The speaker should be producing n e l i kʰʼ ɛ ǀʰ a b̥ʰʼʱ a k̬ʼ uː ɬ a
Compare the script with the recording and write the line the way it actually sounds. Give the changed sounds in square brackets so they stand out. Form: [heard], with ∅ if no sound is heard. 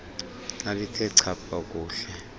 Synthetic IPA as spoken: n [a] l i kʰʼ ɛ ǀʰ a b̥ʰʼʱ a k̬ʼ uː ɬ [ɛ]